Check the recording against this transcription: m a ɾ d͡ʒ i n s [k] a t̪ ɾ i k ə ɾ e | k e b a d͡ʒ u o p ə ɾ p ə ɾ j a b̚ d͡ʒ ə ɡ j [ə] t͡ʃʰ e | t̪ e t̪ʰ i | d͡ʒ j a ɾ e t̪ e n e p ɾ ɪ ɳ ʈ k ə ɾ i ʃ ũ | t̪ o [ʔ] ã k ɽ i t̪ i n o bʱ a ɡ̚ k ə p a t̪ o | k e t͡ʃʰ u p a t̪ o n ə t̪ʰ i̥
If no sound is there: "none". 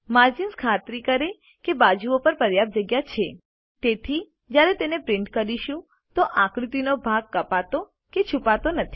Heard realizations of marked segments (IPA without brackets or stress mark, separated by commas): kʰ, a, ʔ